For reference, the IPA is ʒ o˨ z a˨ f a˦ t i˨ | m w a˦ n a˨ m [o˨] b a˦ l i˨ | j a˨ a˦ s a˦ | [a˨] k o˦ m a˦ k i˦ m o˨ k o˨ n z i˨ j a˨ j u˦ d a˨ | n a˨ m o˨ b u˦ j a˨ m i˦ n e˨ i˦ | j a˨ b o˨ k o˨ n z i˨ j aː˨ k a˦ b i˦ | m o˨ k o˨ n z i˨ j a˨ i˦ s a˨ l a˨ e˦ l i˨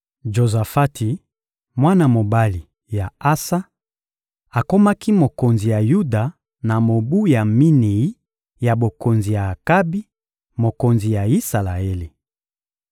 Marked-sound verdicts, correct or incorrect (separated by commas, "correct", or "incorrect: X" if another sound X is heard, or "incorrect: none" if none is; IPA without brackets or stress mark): correct, correct